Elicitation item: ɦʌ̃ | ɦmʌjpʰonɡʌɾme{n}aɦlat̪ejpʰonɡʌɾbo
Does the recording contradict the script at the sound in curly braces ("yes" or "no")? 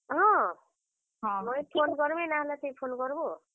no